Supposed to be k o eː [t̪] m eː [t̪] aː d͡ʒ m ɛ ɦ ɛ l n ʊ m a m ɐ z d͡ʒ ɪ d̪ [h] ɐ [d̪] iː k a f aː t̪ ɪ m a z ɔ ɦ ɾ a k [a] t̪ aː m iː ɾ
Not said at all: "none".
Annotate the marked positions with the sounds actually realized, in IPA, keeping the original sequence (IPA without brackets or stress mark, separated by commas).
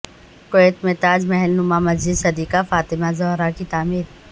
t̪, t̪, s, d̪, i